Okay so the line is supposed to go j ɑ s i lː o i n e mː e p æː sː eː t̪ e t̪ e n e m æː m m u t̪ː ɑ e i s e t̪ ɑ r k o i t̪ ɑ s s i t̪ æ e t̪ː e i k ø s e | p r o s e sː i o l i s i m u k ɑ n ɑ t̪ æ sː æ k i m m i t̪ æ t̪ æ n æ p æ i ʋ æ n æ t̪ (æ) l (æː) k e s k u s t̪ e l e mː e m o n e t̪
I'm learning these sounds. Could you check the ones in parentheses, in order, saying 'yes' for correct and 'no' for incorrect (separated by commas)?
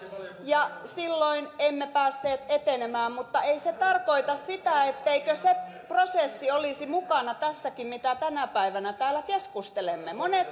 no, no